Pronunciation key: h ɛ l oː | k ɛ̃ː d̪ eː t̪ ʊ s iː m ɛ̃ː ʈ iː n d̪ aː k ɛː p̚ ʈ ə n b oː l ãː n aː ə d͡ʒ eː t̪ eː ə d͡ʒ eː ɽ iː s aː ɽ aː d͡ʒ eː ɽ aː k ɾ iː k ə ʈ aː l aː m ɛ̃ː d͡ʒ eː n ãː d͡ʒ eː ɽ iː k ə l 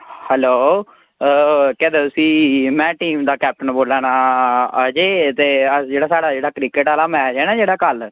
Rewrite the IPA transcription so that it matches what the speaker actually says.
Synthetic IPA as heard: h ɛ l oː | k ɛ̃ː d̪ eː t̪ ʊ s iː m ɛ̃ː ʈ iː m d̪ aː k ɛː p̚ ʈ ə n b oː l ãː n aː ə d͡ʒ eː t̪ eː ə d͡ʒ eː ɽ aː s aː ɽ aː d͡ʒ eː ɽ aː k ɾ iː k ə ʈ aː l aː m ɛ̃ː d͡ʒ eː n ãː d͡ʒ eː ɽ aː k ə l